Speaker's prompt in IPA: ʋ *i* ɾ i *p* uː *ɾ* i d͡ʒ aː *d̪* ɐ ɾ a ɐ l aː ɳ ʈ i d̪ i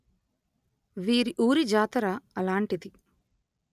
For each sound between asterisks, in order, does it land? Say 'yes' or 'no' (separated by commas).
no, no, yes, no